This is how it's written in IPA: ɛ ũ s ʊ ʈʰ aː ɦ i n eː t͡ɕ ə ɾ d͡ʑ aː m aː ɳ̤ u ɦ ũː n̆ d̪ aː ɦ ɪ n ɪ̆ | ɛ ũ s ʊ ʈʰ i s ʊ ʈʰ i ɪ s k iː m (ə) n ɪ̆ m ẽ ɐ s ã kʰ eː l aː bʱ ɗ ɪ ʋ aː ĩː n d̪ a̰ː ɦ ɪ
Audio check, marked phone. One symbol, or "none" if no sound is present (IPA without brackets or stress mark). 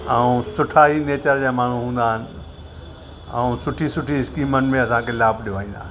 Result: ə